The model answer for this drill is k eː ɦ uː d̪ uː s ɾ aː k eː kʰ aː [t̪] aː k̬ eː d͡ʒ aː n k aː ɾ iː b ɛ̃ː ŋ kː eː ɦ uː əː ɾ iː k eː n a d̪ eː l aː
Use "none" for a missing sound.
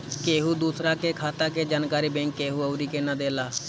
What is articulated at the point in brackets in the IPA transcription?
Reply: t̪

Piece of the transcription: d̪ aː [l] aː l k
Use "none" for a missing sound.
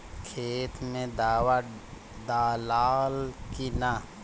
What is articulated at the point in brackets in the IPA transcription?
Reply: l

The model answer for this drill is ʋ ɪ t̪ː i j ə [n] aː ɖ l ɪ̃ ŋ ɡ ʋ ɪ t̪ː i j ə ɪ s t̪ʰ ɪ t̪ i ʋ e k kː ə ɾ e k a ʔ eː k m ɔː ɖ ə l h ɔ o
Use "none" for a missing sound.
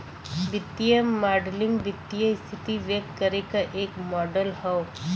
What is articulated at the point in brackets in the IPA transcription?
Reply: m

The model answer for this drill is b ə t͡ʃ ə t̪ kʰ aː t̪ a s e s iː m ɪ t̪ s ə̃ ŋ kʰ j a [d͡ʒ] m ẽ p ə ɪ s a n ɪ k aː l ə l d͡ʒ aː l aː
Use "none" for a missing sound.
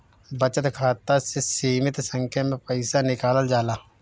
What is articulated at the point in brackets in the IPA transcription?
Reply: none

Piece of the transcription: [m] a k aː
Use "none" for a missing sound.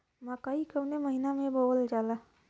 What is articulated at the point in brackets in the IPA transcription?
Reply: m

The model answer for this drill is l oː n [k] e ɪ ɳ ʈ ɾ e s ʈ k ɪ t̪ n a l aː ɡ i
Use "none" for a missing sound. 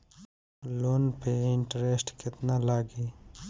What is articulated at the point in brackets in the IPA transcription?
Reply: p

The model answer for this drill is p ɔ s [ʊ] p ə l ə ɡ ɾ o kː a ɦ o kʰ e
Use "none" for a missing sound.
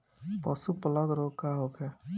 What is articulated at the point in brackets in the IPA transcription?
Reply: u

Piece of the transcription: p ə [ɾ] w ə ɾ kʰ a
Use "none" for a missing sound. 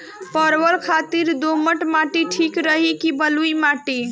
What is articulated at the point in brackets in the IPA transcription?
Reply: ɾ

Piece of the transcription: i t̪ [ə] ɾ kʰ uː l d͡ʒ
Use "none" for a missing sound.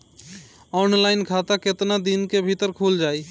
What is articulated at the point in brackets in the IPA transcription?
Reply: ə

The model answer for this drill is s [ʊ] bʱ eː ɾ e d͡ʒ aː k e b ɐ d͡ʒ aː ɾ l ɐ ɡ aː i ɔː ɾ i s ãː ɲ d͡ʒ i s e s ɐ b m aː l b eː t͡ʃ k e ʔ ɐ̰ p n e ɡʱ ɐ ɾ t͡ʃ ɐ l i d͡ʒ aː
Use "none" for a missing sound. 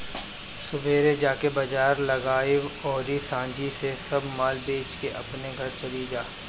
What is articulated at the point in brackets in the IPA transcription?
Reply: ʊ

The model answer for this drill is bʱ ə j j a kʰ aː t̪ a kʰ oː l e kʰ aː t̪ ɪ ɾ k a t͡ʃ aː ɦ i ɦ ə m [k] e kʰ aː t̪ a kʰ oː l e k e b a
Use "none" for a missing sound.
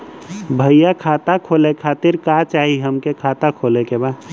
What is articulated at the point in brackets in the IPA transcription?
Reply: k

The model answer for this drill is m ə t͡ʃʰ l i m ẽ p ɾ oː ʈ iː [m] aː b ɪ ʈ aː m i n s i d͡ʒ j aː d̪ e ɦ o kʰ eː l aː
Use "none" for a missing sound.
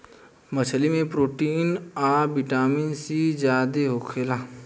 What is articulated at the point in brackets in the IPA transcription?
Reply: n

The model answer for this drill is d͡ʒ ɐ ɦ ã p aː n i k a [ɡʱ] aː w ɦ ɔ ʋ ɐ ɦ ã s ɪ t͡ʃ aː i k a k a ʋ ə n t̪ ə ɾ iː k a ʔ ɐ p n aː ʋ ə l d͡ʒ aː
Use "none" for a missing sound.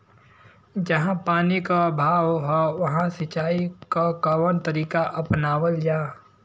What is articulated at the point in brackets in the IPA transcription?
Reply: bʱ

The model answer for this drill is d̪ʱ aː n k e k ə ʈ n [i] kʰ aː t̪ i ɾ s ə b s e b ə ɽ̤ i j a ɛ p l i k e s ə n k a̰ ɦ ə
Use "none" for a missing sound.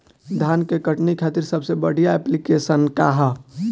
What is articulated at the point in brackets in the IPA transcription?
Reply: i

